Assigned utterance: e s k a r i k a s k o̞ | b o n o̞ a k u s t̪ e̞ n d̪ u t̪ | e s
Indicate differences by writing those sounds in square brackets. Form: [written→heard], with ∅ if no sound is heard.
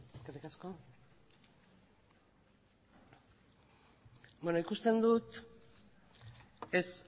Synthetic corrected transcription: e s k [a→e] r i k a s k o̞ | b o n o̞ [a→i] k u s t̪ e̞ n d̪ u t̪ | e s

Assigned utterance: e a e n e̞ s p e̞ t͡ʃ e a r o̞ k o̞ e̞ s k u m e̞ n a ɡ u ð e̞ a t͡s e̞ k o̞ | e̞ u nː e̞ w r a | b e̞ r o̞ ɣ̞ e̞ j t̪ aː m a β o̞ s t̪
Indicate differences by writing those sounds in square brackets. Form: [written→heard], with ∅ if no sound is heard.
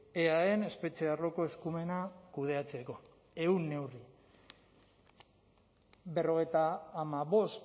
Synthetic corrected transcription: e a e n e̞ s p e̞ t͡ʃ e a r o̞ k o̞ e̞ s k u m e̞ n a [ɡ→k] u ð e̞ a t͡s e̞ k o̞ | e̞ u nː e̞ w r [a→i] | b e̞ r o̞ ɣ̞ e̞ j t̪ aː m a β o̞ s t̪

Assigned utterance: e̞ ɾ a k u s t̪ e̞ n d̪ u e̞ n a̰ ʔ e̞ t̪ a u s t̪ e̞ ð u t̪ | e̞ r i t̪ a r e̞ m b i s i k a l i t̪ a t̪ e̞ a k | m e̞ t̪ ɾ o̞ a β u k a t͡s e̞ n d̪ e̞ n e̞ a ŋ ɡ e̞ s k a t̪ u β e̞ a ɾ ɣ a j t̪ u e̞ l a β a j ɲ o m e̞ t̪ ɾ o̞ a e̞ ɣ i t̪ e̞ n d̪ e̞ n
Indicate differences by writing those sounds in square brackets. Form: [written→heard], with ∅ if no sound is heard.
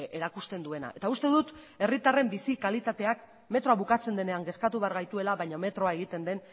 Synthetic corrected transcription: e̞ ɾ a k u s t̪ e̞ n d̪ u e̞ n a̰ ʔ e̞ t̪ a u s t̪ e̞ ð u t̪ | e̞ r i t̪ a r e̞ m b i s i k a l i t̪ a t̪ e̞ a k | m e̞ t̪ ɾ o̞ a β u k a t͡s e̞ n d̪ e̞ n e̞ a ŋ ɡ e̞ s k a t̪ u β e̞ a ɾ ɣ a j t̪ u e̞ l a β a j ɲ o m e̞ t̪ ɾ o̞ a e̞ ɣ i t̪ e̞ n d̪ e̞ n

